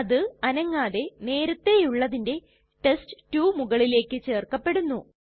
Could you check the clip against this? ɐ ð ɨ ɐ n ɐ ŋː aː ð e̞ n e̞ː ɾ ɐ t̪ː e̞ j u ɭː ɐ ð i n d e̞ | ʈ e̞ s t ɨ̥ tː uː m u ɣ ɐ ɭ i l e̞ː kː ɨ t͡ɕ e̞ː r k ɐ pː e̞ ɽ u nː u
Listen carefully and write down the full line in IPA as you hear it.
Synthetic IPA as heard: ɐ ð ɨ ɐ n ɐ ŋː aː ð e̞ n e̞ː ɾ ɐ t̪ː e̞ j u ɭː ɐ ð i n d e̞ | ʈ e̞ s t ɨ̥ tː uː m u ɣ ɐ ɭ i l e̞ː kː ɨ t͡ɕ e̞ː r k ɐ pː e̞ ɽ u nː u

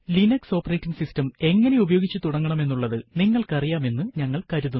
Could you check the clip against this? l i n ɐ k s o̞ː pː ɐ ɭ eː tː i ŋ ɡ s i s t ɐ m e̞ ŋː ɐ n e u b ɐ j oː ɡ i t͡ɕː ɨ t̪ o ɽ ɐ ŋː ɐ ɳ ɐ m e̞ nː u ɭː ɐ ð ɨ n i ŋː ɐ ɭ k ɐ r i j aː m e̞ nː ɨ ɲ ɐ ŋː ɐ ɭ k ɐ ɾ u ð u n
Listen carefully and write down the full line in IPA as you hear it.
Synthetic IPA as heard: l i n ɐ k s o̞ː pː ɐ r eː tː i ŋ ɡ s i s t ɐ m e̞ ŋː ɐ n e u b ɐ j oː ɡ i t͡ɕː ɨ t̪ u ɽ ɐ ŋː ɐ ɳ ɐ m e̞ nː u ɭː ɐ ð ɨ n i ŋː ɐ ɭ k ɐ r i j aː m e̞ nː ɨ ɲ ɐ ŋː ɐ ɭ k ɐ ɾ u ð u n

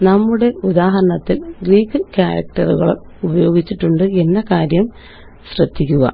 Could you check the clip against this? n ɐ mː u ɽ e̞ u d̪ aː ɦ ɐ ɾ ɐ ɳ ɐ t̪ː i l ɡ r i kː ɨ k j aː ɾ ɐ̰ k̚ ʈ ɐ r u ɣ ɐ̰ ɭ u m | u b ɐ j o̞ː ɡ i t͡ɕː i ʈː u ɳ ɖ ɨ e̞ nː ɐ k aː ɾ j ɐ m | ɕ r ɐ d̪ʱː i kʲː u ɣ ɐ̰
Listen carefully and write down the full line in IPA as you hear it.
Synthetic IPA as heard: n ɐ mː u ɽ e̞ u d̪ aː ɦ ɐ ɾ ɐ ɳ ɐ t̪ː i l ɡ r iː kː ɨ k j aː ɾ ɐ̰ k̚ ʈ ɐ r u ɣ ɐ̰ ɭ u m | u b ɐ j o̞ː ɡ i t͡ɕː i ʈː u ɳ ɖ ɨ e̞ nː ɐ k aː ɾ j ɐ m | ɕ r ɐ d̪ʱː i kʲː u ɣ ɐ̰

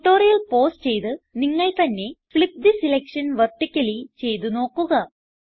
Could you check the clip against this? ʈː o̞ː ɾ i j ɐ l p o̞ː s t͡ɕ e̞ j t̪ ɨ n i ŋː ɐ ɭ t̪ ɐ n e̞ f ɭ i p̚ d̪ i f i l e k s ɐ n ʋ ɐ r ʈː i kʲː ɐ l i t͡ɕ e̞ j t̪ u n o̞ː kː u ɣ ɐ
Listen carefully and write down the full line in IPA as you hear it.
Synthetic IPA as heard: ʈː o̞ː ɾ i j ɐ l p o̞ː s t͡ɕ e̞ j t̪ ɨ n i ŋː ɐ ɭ t̪ ɐ nː e̞ f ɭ i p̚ d̪ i s i l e k ʂ ɐ n ʋ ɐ r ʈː i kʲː ɐ l i t͡ɕ e̞ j t̪ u n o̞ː kː u ɣ ɐ

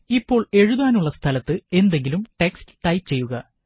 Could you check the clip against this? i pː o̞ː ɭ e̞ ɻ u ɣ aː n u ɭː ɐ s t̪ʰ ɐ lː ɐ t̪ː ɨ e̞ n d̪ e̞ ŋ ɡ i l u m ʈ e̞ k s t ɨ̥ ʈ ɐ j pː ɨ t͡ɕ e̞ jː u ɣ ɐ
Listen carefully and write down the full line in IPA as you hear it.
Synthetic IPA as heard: i pː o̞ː ɭ e̞ ɻ u ð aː n u ɭː ɐ s t̪ʰ ɐ l ɐ t̪ː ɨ e̞ n d̪ e̞ ŋ ɡ i l u m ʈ e̞ k s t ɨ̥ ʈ ɐ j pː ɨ t͡ɕ e̞ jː u ɣ ɐ

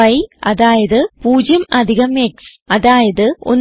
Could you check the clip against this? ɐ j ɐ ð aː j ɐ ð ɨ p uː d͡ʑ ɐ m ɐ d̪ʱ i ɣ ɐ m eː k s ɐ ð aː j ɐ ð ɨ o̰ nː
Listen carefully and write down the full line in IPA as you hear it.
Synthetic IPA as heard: ɐ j ɐ ð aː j ɐ ð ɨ p uː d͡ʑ ɐ m ɐ d̪ʱ i ɣ ɐ m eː k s ɐ ð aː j ɐ ð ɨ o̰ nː

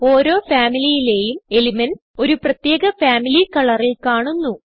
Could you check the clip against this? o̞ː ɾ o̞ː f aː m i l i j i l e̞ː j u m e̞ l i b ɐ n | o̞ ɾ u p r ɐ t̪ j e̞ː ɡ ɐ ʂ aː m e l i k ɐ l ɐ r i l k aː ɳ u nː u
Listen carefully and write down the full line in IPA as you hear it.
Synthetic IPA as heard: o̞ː ɾ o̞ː f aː m i l i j i l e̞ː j u m e̞ l i m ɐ n | o̞ ɾ u p r ɐ t̪ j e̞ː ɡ ɐ f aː m i l i k ɐ ɭ ɐ r i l k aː ɳ u nː u

